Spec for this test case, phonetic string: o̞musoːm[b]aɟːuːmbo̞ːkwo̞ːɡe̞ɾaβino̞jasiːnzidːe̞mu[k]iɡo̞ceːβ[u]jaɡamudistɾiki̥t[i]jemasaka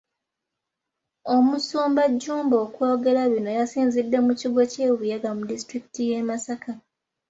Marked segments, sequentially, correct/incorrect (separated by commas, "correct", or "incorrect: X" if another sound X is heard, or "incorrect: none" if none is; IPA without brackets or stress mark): correct, incorrect: c, correct, correct